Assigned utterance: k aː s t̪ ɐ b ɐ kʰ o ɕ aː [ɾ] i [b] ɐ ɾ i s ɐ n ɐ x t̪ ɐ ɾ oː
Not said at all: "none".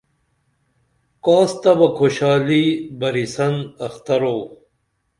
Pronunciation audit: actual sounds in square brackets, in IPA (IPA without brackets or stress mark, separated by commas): l, b